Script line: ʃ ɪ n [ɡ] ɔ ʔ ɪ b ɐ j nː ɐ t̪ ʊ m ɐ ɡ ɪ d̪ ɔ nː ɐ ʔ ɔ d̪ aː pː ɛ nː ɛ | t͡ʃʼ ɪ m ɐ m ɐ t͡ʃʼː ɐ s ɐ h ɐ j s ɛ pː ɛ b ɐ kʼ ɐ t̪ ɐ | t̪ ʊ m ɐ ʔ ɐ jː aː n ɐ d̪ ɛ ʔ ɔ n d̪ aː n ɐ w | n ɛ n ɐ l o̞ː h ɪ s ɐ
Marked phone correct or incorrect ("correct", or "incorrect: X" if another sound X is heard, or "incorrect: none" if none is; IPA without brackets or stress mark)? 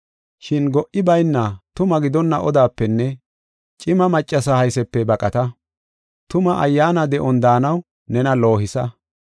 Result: correct